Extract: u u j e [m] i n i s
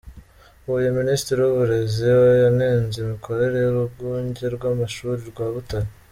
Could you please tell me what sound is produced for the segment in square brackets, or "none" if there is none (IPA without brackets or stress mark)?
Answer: m